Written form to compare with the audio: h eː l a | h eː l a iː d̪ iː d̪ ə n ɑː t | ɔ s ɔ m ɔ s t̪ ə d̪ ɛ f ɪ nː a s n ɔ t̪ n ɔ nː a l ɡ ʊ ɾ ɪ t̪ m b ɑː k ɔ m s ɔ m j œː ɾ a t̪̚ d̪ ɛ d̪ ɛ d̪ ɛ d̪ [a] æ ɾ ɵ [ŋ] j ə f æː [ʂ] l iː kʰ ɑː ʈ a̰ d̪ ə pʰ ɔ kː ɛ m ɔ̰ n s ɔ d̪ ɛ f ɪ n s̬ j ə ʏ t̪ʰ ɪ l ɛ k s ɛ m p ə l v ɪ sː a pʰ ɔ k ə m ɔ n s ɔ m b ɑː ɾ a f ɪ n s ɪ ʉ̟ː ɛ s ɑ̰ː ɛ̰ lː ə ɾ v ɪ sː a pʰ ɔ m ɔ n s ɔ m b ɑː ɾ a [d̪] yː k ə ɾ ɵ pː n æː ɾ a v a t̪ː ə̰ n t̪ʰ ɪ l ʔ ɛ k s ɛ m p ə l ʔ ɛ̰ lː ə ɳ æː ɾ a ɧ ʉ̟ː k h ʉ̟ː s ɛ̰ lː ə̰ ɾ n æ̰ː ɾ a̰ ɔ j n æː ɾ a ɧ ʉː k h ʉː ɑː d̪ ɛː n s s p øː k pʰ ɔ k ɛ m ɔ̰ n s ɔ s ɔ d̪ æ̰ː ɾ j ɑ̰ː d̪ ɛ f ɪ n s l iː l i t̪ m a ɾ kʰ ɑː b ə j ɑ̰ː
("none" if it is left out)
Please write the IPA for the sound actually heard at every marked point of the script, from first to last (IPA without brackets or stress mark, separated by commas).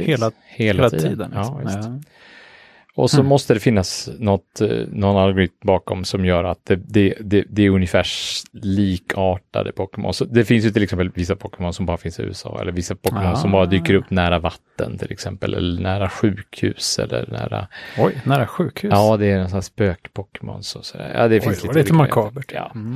ɛ, n, ʂ, d̪